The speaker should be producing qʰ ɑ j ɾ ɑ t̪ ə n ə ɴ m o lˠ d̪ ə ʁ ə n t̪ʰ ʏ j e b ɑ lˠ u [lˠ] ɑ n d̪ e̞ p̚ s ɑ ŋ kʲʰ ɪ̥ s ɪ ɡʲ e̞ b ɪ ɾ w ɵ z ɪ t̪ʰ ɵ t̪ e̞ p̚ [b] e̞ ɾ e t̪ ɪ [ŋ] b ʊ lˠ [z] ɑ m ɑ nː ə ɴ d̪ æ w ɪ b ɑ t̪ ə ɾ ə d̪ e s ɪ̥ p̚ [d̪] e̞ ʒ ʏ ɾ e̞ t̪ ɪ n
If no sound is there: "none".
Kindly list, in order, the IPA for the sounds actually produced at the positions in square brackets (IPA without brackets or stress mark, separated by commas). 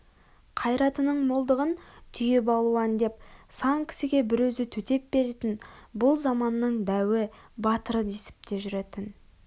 none, b, n, z, t̪